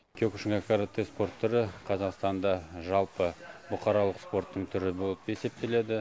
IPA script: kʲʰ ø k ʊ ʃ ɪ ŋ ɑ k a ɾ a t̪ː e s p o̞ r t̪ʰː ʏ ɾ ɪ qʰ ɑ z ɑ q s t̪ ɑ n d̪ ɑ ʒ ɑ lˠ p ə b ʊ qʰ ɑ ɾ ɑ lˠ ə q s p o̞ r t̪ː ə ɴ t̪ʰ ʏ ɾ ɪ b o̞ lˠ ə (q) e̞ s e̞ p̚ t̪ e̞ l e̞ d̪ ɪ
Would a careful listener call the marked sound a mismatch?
yes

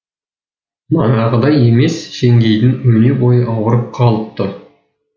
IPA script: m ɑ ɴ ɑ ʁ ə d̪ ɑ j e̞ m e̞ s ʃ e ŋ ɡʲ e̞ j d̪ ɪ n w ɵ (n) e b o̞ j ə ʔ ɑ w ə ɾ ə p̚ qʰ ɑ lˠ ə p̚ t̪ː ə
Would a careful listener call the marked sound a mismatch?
no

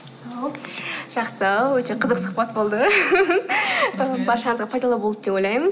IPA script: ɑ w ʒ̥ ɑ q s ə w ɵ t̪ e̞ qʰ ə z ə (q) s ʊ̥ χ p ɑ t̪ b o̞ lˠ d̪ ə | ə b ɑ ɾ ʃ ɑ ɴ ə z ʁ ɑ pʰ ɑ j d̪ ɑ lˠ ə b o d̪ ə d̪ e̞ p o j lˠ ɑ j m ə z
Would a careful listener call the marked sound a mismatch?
no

